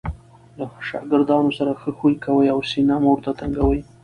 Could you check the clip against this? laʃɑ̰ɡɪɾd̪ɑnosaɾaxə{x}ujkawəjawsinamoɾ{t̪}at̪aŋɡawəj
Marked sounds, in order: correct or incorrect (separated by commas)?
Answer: correct, correct